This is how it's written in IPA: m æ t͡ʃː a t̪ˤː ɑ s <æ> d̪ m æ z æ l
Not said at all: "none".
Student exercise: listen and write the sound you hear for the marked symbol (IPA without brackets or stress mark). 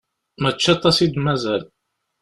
i